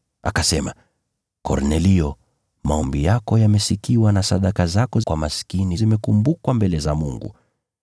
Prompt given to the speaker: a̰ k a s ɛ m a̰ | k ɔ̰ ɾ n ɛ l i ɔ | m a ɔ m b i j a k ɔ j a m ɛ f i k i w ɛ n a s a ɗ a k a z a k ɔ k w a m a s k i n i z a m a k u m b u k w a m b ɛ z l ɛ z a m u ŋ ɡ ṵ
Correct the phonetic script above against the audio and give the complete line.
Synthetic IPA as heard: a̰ k a s ɛ m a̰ | k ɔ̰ ɾ n ɛ l i ɔ | m a ɔ m b i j a k ɔ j a m ɛ s i k i w a n a s a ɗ a k a z a k ɔ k w a m a s k i n i z i m ɛ k u m b u k w a m b ɛ l ɛ z a m u ŋ ɡ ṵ

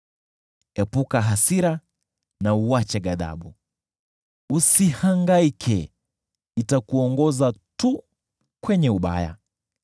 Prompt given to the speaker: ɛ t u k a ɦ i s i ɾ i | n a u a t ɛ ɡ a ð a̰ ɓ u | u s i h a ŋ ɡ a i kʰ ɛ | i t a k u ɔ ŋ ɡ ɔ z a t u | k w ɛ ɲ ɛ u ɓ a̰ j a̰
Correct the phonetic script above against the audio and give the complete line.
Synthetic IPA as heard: ɛ p u k a ɦ a s i ɾ a | n a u a t͡ʃ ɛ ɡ a ð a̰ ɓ u | u s i h a ŋ ɡ a i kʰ ɛ | i t a k u ɔ ŋ ɡ ɔ z a t u | k w ɛ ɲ ɛ u ɓ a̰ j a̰

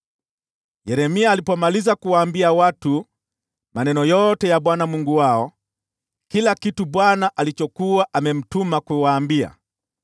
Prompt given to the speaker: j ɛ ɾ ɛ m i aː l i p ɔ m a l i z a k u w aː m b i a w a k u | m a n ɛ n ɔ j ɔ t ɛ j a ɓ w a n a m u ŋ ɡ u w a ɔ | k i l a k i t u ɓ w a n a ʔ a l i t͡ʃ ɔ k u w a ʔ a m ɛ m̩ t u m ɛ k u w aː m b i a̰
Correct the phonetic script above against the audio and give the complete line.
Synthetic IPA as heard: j ɛ ɾ ɛ m i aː l i p ɔ m a l i z a k u w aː m b i a w a t u | m a n ɛ n ɔ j ɔ t ɛ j a ɓ w a n a m u ŋ ɡ u w a ɔ | k i l a k i t u ɓ w a n a ʔ a l i t͡ʃ ɔ k u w a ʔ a m ɛ m̩ t u m a k u w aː m b i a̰

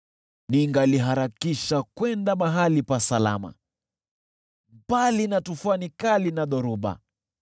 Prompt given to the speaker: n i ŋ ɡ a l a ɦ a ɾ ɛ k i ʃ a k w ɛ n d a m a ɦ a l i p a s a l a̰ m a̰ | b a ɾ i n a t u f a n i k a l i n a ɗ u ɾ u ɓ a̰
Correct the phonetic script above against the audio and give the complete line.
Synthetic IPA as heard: n i ŋ ɡ a l i ɦ a ɾ a k i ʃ a k w ɛ n d a m a ɦ a l i p a s a l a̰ m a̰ | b a l i n a t u f a n i k a l i n a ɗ ɔ ɾ u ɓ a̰

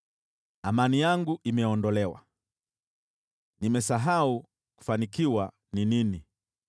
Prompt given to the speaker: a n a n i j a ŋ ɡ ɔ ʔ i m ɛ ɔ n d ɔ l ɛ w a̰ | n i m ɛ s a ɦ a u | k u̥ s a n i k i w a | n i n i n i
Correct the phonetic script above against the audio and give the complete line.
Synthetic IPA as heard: a m a n i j a ŋ ɡ u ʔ i m ɛ ɔ n d ɔ l ɛ w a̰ | n i m ɛ s a ɦ a u | k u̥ f a n i k i w a | n i n i n i

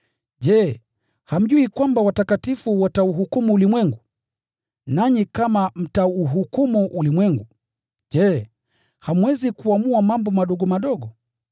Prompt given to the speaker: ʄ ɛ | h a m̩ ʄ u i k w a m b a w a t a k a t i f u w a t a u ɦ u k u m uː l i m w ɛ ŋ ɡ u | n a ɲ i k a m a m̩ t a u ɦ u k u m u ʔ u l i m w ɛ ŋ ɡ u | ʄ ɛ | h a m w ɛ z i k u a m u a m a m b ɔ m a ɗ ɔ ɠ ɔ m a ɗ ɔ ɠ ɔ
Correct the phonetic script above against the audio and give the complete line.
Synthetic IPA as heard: ʄ ɛ | h a m̩ ʄ u i k w a m b a w a t a k a t i f u w a t a u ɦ u k u m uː l i m w ɛ ŋ ɡ u | n a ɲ i k a m a m̩ t a u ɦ u k u m u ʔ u l i m w ɛ ŋ ɡ u | ʄ ɛ | h a m w ɛ z i k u a m u a m a m b ɔ m a ɗ ɔ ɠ ɔ m a ɗ ɔ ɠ ɔ

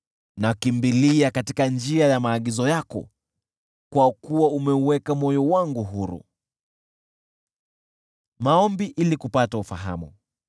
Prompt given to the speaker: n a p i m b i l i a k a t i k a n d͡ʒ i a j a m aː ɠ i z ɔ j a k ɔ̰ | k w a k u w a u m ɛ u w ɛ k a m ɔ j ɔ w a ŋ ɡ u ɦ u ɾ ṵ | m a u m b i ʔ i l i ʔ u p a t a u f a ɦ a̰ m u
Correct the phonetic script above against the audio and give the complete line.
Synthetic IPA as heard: n a k i m b i l i a k a t i k a n d͡ʒ i a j a m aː ɠ i z ɔ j a k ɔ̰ | k w a k u w a u m ɛ u w ɛ k a m ɔ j ɔ w a ŋ ɡ u ɦ u ɾ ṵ | m a ɔ m b i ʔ i l i k u p a t a u f a ɦ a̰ m u

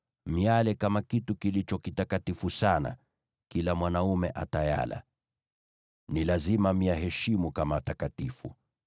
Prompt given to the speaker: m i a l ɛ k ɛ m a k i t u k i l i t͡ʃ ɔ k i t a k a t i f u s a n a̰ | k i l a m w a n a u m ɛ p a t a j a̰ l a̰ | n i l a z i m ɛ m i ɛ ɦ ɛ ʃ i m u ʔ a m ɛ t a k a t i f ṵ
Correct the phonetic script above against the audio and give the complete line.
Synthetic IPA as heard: m i a l ɛ k a m a k i t u k i l i t͡ʃ ɔ k i t a k a t i f u s a n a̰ | k i l a m w a n a u m ɛ ʔ a t a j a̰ l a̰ | n i l a z i m a m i a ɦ ɛ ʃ i m u k a m a t a k a t i f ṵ

